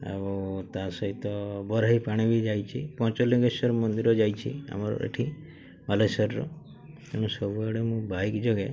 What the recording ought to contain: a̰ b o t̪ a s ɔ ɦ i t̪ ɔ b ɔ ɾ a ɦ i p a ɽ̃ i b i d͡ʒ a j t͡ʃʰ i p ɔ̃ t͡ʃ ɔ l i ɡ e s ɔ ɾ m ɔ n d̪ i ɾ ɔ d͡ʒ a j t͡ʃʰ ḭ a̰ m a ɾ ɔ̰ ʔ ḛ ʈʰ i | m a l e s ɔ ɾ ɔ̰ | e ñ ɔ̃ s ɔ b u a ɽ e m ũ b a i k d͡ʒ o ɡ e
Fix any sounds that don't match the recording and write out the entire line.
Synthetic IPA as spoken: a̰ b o t̪ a s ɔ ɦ i t̪ ɔ b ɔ ɾ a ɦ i p a ɽ̃ i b i d͡ʒ a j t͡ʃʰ i p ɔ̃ t͡ʃ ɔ l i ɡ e s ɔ ɾ m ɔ n d̪ i ɾ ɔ d͡ʒ a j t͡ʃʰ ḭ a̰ m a ɾ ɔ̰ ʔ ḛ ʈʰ i | m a l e s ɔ ɾ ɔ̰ | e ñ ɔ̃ s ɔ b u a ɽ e m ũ b a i k d͡ʒ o ɡ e